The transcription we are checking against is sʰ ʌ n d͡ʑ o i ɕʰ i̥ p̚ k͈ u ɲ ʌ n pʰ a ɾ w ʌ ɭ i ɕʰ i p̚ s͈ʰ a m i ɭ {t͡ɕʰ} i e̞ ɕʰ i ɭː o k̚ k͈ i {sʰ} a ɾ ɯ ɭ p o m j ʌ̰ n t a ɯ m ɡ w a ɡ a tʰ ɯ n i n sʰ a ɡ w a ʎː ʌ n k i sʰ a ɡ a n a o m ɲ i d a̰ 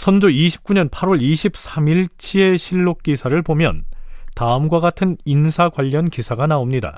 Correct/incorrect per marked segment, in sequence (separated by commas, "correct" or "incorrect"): correct, correct